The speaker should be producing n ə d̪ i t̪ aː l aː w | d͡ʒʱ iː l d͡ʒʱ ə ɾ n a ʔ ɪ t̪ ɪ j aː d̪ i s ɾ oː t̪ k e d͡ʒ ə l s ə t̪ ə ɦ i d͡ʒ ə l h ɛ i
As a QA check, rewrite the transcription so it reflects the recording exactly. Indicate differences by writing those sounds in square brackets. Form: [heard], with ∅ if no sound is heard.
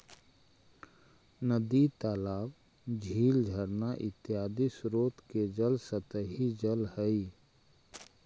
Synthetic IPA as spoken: n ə d̪ i t̪ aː l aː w | d͡ʒʱ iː l d͡ʒʱ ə ɾ n a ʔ ɪ t̪ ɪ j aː d̪ i s ɾ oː t̪ k e d͡ʒ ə l s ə t̪ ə ɦ i d͡ʒ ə l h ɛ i